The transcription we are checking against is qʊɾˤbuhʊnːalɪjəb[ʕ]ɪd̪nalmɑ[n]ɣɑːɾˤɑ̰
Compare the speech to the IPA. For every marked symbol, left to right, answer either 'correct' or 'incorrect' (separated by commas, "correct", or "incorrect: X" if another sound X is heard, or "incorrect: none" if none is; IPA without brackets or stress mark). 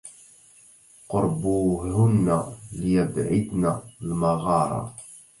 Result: correct, incorrect: none